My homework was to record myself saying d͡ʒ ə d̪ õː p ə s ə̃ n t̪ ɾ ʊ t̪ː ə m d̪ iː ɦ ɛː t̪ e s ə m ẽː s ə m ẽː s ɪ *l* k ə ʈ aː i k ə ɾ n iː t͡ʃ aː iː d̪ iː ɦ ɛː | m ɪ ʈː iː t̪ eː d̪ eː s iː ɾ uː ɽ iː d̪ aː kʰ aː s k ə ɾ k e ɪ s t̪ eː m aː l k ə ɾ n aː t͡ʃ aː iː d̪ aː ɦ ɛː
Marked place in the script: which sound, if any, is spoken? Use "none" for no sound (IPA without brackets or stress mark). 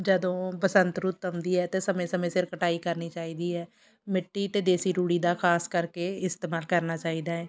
ɾ